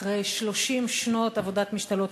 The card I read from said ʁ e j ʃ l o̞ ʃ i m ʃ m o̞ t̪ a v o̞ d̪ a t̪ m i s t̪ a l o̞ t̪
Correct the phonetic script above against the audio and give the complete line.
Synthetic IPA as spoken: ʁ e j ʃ l o̞ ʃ i m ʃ n o̞ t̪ a v o̞ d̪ a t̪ m i ʃ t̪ a l o̞ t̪